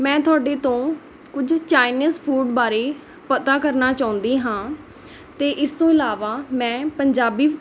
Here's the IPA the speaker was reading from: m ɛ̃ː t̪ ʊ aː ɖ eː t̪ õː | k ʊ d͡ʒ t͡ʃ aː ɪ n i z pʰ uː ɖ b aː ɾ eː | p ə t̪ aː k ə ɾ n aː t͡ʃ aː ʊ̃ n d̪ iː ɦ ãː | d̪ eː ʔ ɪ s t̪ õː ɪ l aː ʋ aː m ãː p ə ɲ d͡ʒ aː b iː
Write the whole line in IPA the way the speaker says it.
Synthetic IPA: m ɛ̃ː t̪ ʊ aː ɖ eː t̪ õː | k ʊ d͡ʒ t͡ʃ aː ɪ n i z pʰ uː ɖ b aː ɾ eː | p ə t̪ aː k ə ɾ n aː t͡ʃ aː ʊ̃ n d̪ iː ɦ ãː | t̪ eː ʔ ɪ s t̪ õː ɪ l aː ʋ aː m ɛ̃ː p ə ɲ d͡ʒ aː b iː